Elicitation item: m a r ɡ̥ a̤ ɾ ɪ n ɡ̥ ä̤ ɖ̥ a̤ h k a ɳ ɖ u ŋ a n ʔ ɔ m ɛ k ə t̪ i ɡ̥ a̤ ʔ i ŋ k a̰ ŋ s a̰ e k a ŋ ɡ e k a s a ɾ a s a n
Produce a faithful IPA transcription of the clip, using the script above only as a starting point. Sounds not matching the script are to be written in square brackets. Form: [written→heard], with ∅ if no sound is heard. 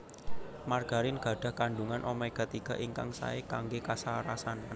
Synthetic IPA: m a r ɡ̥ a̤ ɾ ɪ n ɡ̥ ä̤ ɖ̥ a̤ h k a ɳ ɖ u ŋ a n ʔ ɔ m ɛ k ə t̪ i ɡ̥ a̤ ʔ i ŋ k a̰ ŋ s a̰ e k a ŋ ɡ e k a s a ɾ a s a n